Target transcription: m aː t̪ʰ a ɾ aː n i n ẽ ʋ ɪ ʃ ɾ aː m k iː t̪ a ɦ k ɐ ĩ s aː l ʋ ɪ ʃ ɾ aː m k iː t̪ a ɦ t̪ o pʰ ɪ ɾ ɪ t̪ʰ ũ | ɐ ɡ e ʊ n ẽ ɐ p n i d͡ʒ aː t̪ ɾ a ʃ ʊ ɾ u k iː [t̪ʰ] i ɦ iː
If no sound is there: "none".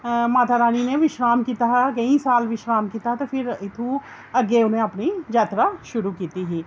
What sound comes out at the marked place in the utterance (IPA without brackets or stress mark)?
t̪